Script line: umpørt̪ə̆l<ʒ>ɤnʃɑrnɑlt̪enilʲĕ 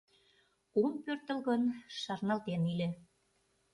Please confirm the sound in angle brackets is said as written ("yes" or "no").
no